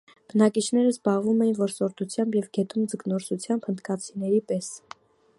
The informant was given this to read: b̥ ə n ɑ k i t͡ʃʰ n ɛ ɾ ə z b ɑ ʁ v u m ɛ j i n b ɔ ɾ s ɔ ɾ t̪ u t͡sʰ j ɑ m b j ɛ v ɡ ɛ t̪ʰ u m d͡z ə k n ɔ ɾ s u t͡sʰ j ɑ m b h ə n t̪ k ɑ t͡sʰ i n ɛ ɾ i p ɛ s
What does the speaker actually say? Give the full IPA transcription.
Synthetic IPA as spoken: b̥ ə n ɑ k i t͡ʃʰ n ɛ ɾ ə z b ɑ ʁ v u m ɛ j i n v ɔ ɾ s ɔ ɾ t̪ u t͡sʰ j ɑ m b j ɛ v ɡ ɛ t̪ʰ u m d͡z ə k n ɔ ɾ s u t͡sʰ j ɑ m b h ə n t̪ k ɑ t͡sʰ i n ɛ ɾ i p ɛ s